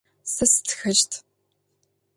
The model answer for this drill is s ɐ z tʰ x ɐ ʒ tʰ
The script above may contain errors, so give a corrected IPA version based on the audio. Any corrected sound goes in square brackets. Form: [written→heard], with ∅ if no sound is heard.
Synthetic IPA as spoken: s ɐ [z→s] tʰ x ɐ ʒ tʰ